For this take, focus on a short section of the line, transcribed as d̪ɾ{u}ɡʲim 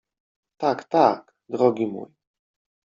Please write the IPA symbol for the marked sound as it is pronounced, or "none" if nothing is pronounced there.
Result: ɔ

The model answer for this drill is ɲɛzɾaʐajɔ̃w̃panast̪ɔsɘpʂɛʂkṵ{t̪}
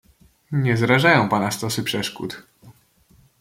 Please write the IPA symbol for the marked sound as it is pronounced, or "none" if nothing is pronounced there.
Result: t̪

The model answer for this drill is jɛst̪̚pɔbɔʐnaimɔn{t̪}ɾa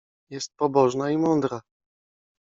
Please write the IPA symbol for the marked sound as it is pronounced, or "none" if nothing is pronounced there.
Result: d̪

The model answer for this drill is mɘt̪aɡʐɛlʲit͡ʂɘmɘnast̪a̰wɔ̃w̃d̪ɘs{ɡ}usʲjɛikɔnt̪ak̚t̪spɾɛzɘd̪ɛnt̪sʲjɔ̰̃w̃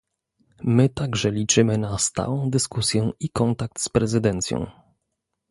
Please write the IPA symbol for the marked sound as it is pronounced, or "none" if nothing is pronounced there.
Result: k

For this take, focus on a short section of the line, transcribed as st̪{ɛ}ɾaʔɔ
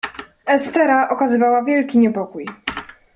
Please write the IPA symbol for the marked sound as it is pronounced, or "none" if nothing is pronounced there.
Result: ɛ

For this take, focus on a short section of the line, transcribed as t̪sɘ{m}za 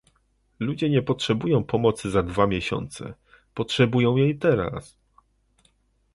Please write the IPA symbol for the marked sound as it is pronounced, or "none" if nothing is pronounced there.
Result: none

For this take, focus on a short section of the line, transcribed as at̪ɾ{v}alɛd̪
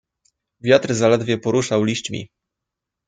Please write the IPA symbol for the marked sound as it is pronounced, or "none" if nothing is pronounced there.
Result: z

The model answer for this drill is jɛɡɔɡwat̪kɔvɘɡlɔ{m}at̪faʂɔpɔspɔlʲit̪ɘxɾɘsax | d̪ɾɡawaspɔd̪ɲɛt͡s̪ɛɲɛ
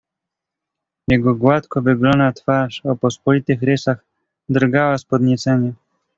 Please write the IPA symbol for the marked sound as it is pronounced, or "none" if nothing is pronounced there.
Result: n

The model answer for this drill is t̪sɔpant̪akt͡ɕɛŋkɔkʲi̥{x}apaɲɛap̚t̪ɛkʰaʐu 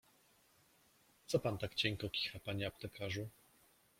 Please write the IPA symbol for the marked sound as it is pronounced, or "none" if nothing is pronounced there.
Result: x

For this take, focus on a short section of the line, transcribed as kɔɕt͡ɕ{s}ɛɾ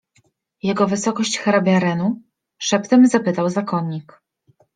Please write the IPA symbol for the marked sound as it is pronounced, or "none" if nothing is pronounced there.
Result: x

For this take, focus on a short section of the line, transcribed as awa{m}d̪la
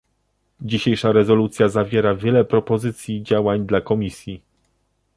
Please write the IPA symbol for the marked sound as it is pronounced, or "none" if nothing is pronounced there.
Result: ɲ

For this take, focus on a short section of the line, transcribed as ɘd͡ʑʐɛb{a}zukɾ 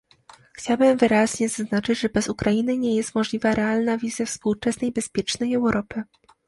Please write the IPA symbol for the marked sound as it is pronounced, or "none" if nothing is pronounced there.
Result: ɛ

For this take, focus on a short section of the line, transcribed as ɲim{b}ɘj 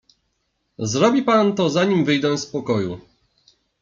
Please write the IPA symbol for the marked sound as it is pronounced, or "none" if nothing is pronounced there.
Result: v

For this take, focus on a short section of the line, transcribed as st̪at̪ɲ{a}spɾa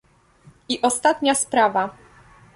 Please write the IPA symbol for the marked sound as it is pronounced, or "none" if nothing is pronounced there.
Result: a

